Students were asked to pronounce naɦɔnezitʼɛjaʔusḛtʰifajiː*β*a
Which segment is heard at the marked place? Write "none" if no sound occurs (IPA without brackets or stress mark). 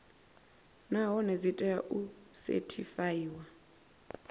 w